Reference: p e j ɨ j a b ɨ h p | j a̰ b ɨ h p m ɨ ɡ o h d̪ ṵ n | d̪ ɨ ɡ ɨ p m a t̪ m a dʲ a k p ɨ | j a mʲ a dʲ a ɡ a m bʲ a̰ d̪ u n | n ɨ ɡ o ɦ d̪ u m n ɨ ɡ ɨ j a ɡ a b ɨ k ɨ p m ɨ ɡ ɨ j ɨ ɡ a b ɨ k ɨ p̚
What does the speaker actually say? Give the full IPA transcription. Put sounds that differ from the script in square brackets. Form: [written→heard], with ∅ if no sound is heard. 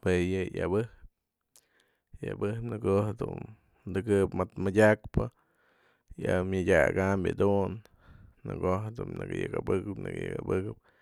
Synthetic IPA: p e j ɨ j a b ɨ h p | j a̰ b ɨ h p [m→n] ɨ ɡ o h d̪ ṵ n | d̪ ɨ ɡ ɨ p m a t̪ m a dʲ a k p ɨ | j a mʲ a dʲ a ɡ a m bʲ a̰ d̪ u n | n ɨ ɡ o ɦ d̪ u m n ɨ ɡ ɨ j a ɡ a b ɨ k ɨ p [m→n] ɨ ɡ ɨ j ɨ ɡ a b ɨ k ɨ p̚